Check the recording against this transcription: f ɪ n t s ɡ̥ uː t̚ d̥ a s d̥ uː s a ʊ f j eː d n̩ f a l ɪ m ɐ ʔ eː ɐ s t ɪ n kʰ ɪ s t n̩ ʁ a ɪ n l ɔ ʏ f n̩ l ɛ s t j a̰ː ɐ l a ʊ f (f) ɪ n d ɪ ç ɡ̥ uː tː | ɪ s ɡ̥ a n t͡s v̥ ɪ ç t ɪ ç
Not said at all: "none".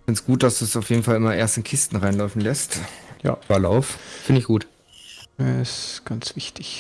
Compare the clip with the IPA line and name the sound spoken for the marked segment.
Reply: f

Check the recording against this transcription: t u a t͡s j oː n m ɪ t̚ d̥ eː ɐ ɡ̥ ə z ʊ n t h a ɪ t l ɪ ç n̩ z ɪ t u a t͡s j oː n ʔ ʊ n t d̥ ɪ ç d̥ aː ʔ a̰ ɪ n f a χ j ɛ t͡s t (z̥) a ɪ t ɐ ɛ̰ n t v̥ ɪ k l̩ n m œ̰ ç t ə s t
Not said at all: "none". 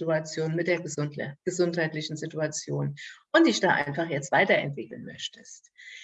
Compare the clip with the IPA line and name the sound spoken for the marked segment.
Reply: v̥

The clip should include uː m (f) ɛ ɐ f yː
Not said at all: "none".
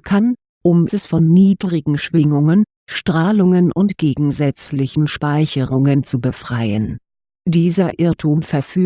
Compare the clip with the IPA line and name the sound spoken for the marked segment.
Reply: f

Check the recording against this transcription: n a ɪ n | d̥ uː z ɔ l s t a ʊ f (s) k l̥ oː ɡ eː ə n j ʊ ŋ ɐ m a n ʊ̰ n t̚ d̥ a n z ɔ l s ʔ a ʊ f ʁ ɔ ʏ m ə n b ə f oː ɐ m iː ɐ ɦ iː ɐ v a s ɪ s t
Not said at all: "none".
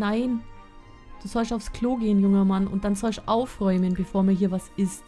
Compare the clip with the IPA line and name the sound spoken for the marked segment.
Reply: s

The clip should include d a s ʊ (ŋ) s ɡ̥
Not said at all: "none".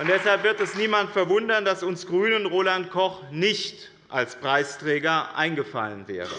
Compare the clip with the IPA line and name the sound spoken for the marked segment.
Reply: n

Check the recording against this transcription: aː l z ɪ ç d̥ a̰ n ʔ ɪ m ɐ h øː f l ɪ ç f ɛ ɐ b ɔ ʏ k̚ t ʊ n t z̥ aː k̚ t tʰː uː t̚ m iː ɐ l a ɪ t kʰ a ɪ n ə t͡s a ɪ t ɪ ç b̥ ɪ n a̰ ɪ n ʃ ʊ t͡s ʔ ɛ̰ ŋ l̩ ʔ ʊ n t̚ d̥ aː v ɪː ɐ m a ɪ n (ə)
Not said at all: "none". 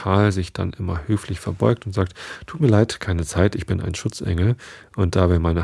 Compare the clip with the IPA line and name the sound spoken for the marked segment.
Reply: ə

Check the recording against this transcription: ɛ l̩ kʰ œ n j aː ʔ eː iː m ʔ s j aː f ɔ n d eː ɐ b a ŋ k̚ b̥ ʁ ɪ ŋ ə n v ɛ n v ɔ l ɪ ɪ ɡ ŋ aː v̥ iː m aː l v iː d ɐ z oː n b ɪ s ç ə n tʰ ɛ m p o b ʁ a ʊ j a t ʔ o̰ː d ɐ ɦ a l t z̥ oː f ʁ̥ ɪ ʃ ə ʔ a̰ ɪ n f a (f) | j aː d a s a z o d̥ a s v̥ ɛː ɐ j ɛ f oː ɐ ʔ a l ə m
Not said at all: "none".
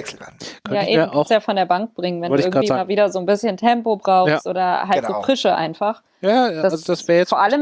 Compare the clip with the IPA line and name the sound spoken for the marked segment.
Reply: χ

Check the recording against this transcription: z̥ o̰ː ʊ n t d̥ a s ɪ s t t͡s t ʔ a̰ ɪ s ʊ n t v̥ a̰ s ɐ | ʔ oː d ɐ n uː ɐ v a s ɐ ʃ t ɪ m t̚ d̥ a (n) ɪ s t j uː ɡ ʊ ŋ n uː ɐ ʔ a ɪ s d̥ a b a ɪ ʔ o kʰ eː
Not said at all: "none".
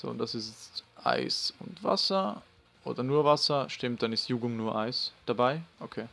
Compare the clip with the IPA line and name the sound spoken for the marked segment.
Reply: n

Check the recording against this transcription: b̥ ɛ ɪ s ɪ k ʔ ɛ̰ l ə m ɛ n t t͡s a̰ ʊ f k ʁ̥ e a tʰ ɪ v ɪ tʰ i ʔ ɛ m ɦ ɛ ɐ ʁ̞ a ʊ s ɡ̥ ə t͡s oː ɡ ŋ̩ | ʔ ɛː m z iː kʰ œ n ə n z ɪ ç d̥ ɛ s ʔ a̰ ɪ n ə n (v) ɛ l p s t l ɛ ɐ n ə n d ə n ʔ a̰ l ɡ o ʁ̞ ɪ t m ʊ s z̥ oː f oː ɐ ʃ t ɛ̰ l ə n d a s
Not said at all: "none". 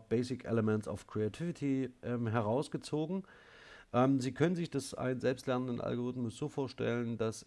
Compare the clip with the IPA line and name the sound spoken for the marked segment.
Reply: z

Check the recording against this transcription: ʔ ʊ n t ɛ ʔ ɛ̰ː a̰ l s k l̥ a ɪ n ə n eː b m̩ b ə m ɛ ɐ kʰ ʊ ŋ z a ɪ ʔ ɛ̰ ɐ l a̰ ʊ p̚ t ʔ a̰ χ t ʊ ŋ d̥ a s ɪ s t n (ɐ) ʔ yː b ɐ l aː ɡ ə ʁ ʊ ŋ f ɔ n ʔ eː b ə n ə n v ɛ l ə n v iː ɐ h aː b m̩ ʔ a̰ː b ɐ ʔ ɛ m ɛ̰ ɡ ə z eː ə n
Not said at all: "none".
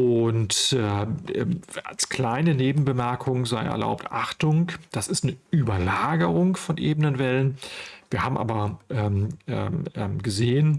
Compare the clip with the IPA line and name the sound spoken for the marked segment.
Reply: ə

